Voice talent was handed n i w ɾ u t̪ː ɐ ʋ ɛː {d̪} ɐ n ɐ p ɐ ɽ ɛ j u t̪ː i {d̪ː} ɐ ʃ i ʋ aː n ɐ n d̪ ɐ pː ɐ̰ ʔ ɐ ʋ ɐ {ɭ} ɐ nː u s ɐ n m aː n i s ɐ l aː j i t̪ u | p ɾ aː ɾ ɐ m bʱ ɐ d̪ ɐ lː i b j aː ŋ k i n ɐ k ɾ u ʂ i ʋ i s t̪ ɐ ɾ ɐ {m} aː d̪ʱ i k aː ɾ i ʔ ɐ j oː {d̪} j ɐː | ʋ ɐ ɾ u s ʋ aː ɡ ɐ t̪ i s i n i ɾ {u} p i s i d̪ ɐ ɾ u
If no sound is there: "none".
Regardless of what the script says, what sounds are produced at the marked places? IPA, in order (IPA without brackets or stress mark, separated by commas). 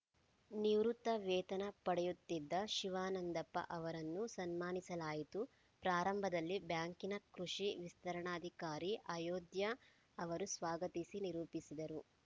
t̪, d̪ː, ɾ, ɳ, d̪, uː